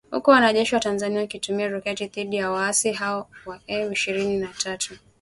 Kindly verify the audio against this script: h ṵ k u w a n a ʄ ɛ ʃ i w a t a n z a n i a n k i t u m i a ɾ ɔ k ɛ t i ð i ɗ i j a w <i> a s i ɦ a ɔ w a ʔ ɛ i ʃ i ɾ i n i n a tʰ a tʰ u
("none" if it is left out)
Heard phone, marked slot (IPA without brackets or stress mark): a